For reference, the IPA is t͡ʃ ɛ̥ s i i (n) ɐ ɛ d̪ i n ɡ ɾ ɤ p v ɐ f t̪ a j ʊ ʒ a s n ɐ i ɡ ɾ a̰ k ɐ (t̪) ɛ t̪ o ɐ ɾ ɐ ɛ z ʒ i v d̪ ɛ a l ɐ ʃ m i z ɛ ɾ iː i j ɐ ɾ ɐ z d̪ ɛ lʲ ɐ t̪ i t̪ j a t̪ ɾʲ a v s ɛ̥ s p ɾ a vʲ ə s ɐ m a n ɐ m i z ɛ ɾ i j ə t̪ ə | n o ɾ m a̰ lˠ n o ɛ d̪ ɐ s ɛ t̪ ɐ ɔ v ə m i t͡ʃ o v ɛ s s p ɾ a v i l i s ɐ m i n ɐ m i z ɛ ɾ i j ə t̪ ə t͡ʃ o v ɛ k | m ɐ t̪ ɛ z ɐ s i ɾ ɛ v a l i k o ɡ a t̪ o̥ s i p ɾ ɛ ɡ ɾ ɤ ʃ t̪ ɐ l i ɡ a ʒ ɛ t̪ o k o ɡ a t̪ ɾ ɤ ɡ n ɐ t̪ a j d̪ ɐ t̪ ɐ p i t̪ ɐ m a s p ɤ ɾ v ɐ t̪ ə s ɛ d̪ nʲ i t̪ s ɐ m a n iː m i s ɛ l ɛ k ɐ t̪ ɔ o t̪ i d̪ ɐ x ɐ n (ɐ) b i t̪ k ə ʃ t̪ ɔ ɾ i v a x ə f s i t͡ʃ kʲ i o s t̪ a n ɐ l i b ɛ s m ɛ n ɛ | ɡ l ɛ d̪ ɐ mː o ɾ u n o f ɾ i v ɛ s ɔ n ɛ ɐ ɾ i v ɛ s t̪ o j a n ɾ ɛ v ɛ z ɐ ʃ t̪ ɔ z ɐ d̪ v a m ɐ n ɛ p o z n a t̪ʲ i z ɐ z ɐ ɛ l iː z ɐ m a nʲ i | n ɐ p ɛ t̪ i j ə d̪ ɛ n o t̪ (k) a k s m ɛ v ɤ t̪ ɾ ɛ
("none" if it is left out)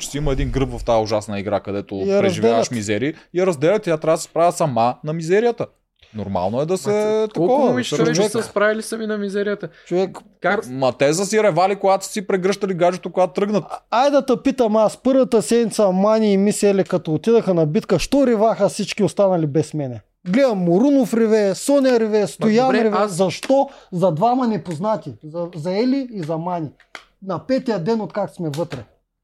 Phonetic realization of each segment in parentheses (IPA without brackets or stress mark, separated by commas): m, d̪, ɐ, k